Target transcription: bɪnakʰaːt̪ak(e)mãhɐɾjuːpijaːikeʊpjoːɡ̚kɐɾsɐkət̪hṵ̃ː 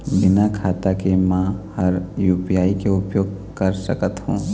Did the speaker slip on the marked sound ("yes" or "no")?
no